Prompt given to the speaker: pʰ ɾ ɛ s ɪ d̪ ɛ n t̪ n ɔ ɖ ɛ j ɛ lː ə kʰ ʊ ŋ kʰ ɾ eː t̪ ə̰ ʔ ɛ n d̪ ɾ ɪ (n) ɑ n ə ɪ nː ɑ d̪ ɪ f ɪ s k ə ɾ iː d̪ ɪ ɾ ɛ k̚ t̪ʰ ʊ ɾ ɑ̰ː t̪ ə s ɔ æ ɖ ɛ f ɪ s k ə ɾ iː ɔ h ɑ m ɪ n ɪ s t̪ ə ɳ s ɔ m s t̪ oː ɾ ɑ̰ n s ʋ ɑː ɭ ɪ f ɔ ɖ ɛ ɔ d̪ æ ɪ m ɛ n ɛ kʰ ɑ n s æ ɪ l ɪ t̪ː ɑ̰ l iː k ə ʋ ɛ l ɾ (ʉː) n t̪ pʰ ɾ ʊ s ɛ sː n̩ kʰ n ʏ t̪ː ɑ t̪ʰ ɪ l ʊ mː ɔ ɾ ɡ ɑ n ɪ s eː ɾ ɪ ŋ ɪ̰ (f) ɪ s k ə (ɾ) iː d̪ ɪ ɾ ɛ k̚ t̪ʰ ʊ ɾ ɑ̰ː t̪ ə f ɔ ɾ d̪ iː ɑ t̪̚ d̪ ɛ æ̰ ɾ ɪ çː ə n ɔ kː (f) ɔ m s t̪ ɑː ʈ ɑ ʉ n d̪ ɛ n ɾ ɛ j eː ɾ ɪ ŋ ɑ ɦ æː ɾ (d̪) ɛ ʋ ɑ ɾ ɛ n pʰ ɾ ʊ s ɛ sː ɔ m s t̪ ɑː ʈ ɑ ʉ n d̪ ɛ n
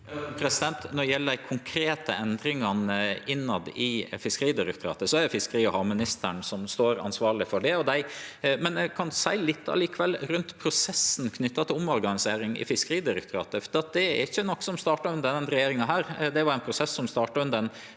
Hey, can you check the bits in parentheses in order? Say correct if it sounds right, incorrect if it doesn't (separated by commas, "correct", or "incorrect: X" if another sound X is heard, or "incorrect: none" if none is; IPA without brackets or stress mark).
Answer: incorrect: ŋ, incorrect: ʉ, correct, correct, incorrect: s, correct